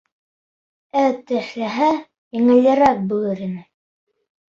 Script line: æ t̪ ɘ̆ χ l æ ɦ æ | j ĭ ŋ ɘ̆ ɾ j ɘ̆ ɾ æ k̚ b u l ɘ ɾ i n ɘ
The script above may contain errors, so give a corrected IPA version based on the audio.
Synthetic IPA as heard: æ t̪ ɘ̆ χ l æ ɦ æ | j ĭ ŋ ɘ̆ l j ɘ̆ ɾ æ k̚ b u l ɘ ɾ i n ɘ